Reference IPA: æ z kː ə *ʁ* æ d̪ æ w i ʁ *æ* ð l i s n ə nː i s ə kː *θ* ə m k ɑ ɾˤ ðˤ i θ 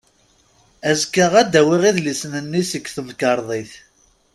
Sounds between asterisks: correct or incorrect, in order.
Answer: correct, incorrect: i, correct

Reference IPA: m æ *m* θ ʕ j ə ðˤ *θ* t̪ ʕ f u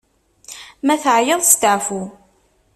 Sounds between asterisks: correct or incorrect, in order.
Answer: incorrect: none, incorrect: s

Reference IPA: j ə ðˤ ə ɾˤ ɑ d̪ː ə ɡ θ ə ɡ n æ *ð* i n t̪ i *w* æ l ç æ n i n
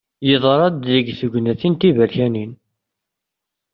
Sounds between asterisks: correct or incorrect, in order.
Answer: incorrect: θ, incorrect: v

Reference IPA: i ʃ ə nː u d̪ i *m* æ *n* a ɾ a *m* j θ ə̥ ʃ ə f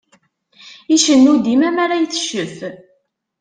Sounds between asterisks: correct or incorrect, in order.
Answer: correct, incorrect: m, incorrect: none

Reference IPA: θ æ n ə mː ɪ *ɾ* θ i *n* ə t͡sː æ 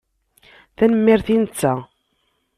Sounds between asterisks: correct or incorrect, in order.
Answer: correct, correct

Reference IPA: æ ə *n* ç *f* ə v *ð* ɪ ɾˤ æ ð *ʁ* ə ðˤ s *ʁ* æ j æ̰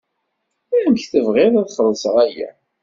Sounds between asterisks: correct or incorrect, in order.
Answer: incorrect: m, incorrect: θ, incorrect: ʁ, incorrect: χ, correct

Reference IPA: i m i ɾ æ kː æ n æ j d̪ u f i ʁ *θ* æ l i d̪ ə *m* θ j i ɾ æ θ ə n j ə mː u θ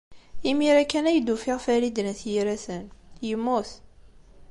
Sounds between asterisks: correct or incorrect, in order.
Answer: incorrect: f, incorrect: n

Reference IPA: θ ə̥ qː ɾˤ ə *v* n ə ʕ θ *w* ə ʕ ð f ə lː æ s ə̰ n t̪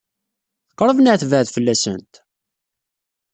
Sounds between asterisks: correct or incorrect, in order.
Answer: correct, incorrect: v

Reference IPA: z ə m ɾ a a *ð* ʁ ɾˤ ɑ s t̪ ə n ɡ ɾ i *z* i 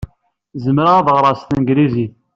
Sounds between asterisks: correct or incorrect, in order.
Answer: correct, correct

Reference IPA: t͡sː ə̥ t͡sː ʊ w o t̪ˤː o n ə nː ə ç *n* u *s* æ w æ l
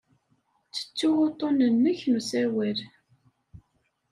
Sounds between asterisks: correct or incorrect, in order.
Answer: correct, correct

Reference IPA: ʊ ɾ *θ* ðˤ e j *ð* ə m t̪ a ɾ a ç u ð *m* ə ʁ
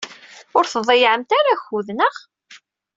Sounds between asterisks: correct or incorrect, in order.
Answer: correct, incorrect: ʕ, incorrect: n

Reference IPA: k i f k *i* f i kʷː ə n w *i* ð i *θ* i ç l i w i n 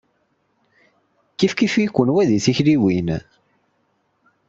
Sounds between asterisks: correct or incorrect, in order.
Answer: correct, incorrect: æ, correct

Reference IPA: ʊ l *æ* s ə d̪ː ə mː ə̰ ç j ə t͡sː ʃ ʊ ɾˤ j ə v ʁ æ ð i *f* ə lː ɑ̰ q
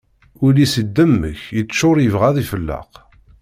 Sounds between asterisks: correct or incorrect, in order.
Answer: incorrect: i, correct

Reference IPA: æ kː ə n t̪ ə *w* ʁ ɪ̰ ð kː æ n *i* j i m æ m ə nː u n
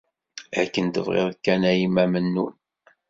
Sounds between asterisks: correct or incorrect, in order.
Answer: incorrect: v, incorrect: æ

